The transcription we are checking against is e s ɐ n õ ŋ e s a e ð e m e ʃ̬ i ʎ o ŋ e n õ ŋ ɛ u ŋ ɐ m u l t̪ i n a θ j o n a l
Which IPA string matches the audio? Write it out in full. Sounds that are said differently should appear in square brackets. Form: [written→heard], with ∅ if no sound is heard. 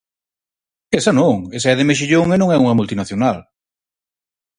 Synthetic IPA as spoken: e s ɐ n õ ŋ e s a [e→ɛ] ð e m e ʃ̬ i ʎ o ŋ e n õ ŋ ɛ u ŋ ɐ m u l t̪ i n a θ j o n a l

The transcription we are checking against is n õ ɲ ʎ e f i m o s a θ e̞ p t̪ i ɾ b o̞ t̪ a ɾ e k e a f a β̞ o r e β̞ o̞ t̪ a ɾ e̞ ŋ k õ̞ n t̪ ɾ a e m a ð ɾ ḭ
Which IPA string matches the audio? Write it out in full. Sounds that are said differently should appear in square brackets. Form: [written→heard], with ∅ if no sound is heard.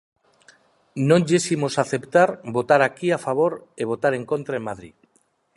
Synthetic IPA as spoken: n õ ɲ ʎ e [f→s] i m o s a θ e̞ p t̪ [i→a] ɾ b o̞ t̪ a ɾ [e→a] k [e→i] a f a β̞ o [r→ɾ] e β̞ o̞ t̪ a ɾ e̞ ŋ k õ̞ n t̪ ɾ a e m a ð ɾ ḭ

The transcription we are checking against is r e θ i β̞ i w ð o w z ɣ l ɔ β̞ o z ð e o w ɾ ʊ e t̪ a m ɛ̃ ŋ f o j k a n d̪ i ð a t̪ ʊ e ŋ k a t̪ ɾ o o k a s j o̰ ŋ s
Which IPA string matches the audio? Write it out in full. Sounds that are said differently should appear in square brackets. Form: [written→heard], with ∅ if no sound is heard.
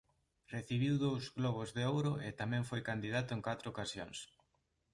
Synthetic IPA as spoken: r e θ i β̞ i w ð o w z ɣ l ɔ β̞ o z ð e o w ɾ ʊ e t̪ a m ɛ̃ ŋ f o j k a n d̪ i ð a t̪ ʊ e ŋ k a t̪ ɾ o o k a s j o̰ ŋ s

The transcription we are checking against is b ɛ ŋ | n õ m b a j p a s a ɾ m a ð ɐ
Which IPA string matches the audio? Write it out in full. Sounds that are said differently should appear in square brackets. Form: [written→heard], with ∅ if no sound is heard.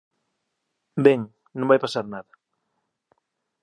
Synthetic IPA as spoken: b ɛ ŋ | n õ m b a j p a s a ɾ [m→n] a ð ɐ

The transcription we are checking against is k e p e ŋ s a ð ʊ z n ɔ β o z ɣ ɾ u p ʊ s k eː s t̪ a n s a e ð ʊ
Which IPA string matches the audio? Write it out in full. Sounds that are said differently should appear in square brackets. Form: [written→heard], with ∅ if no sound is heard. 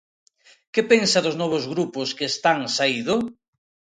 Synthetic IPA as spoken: k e p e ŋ s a ð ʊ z n ɔ β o z ɣ ɾ u p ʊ s k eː s t̪ a [n→ŋ] s a [e→i] ð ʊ

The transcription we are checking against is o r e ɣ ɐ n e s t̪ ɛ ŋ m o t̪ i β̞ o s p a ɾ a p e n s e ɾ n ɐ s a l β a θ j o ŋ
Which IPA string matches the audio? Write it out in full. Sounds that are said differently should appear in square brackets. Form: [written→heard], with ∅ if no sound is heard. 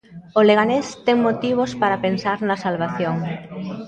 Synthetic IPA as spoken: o [r→l] e ɣ [ɐ→a] n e s t̪ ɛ ŋ m o t̪ i β̞ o s p a ɾ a p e n s [e→a] ɾ n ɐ s a l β a θ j o ŋ

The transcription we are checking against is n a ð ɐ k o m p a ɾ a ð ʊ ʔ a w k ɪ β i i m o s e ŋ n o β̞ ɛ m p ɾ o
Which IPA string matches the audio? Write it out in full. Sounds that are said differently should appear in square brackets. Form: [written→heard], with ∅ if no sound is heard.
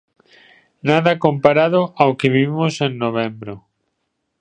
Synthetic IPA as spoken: n a ð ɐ k o m p a ɾ a ð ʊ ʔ a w k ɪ β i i m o s e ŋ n o β̞ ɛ m [p→b] ɾ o

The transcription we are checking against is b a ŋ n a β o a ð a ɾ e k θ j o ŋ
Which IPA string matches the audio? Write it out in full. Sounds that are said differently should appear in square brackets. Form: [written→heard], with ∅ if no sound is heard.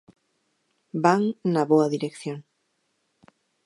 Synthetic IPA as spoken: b a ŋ n a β o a ð [a→i] ɾ e k θ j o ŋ

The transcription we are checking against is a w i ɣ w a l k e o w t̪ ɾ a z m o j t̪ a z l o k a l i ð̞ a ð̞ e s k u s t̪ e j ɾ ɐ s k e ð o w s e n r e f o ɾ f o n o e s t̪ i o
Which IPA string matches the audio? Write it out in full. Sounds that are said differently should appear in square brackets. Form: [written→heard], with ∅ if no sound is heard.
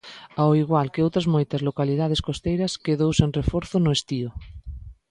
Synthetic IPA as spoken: a w i ɣ w a l k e o w t̪ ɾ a z m o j t̪ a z l o k a l i ð̞ a ð̞ e s k [u→o] s t̪ e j ɾ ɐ s k e ð o w s e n r e f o ɾ [f→θ] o n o e s t̪ i o

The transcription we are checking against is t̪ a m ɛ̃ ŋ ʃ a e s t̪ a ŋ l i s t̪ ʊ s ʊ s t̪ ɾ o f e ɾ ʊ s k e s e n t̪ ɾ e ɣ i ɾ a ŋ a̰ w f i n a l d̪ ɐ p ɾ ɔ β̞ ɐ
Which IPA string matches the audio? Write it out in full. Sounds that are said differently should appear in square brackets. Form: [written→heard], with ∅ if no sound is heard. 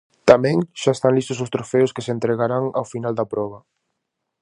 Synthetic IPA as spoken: t̪ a m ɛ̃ ŋ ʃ a e s t̪ a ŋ l i s t̪ ʊ s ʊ s t̪ ɾ o f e [ɾ→∅] ʊ s k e s e n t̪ ɾ e ɣ [i→a] ɾ a ŋ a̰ w f i n a l d̪ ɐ p ɾ ɔ β̞ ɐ

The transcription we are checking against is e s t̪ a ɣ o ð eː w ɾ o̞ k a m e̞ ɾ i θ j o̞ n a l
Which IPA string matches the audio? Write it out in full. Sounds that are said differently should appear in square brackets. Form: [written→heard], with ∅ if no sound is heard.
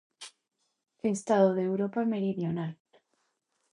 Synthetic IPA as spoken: e s t̪ a [ɣ→ð] o ð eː w ɾ o̞ [k→p] a m e̞ ɾ i [θ→ð] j o̞ n a l

